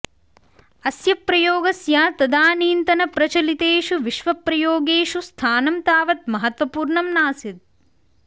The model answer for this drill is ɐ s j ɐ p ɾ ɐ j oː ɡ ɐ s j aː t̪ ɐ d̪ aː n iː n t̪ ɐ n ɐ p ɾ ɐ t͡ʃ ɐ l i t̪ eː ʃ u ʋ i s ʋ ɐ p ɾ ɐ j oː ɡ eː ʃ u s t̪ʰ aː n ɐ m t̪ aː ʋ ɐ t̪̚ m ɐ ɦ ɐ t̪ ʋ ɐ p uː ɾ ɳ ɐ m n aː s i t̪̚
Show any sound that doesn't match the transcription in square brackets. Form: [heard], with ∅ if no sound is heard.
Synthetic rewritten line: ɐ s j ɐ p ɾ ɐ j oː ɡ ɐ s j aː t̪ ɐ d̪ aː n iː n t̪ ɐ n ɐ p ɾ ɐ t͡ʃ ɐ l i t̪ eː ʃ u ʋ i [ʃ] ʋ ɐ p ɾ ɐ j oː ɡ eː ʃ u s t̪ʰ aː n ɐ m t̪ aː ʋ ɐ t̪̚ m ɐ ɦ ɐ t̪ ʋ ɐ p uː ɾ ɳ ɐ m n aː s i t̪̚

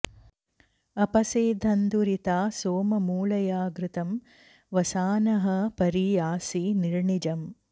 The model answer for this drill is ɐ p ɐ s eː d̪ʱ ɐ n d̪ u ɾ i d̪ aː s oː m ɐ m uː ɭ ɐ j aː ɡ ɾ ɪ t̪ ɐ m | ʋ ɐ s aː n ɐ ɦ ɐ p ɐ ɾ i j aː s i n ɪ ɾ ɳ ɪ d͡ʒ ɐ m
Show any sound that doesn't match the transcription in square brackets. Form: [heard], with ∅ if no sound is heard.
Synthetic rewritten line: ɐ p ɐ s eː d̪ʱ ɐ n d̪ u ɾ i [t̪] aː s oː m ɐ m uː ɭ ɐ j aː ɡ ɾ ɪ t̪ ɐ m | ʋ ɐ s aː n ɐ ɦ ɐ p ɐ ɾ i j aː s i n [i] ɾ ɳ [i] d͡ʒ ɐ m

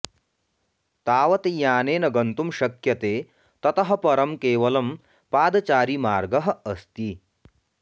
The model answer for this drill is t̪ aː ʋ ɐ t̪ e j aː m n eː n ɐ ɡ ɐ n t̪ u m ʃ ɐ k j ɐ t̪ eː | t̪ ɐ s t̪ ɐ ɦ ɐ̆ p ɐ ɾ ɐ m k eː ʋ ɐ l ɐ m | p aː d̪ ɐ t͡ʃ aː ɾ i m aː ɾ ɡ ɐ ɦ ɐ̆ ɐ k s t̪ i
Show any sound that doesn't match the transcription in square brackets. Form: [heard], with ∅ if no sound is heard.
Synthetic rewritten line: t̪ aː ʋ ɐ t̪ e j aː [∅] n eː n ɐ ɡ ɐ n t̪ u m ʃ ɐ k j ɐ t̪ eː | t̪ ɐ [∅] t̪ ɐ ɦ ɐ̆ p ɐ ɾ ɐ m k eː ʋ ɐ l ɐ m | p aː d̪ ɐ t͡ʃ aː ɾ i m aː ɾ ɡ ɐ ɦ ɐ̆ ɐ [∅] s t̪ i

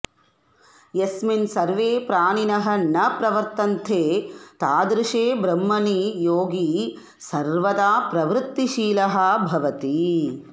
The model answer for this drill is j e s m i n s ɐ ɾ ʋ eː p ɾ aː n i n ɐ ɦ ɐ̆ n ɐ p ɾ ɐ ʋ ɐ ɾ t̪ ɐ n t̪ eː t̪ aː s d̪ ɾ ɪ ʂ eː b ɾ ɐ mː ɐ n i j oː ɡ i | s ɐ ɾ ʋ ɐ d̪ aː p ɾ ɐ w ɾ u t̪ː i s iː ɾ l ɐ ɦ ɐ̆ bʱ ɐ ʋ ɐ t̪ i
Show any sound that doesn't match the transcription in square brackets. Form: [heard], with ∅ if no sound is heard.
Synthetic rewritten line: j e s m i n s ɐ ɾ ʋ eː p ɾ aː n i n ɐ ɦ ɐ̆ n ɐ p ɾ ɐ ʋ ɐ ɾ t̪ ɐ n [t̪ʰ] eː t̪ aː [∅] d̪ ɾ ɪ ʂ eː b ɾ ɐ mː ɐ n i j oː ɡ i | s ɐ ɾ ʋ ɐ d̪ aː p ɾ ɐ [ʋ] ɾ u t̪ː i [ʃ] iː [∅] l ɐ ɦ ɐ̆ bʱ ɐ ʋ ɐ t̪ i

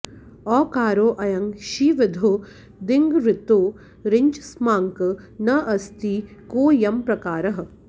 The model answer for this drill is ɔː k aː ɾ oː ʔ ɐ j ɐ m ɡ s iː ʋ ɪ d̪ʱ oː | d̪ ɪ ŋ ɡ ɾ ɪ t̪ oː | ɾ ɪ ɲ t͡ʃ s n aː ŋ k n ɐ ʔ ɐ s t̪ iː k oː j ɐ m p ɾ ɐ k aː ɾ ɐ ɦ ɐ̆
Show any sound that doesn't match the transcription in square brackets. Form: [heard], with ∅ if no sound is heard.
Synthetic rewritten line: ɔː k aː ɾ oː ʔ ɐ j ɐ [ŋ] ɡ [ʃ] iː ʋ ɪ d̪ʱ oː | d̪ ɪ ŋ ɡ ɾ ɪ t̪ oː | ɾ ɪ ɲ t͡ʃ s [m] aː ŋ k n ɐ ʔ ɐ s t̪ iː k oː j ɐ m p ɾ ɐ k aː ɾ ɐ ɦ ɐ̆

